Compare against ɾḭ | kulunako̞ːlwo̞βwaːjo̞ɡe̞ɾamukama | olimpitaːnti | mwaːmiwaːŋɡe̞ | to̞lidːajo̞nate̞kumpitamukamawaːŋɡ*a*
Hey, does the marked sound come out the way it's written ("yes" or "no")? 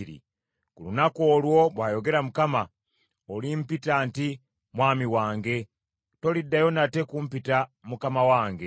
no